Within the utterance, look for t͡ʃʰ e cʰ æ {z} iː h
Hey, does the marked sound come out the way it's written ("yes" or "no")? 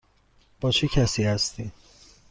no